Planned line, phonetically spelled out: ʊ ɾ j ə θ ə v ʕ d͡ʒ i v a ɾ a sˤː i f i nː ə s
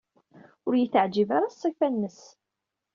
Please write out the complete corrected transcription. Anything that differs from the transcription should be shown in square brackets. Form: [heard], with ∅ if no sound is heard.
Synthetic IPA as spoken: ʊ ɾ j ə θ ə [∅] ʕ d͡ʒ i v a ɾ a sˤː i f [æ] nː ə s